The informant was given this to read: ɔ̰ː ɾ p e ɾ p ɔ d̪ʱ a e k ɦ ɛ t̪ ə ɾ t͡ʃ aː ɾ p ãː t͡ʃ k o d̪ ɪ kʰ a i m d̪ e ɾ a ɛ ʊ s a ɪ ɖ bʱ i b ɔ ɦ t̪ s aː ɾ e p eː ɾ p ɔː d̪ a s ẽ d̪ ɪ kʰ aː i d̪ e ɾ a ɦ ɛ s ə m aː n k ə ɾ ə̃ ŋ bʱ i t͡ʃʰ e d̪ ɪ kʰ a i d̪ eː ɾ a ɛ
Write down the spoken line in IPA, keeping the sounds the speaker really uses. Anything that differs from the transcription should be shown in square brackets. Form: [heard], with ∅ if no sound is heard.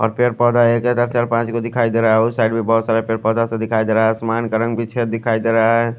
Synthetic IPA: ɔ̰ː ɾ p e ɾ p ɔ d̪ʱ a e k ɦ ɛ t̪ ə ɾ t͡ʃ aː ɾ p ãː t͡ʃ k o d̪ ɪ kʰ a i [∅] d̪ e ɾ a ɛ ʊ s a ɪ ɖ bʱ i b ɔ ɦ t̪ s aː ɾ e p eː ɾ p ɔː d̪ a s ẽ d̪ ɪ kʰ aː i d̪ e ɾ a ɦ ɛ s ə m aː n k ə ɾ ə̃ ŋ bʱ i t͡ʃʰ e d̪ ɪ kʰ a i d̪ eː ɾ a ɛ